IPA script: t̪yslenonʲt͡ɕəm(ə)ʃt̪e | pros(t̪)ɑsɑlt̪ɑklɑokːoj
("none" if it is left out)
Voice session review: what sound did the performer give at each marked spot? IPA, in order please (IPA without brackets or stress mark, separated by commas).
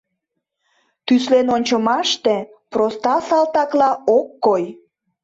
ɑ, t̪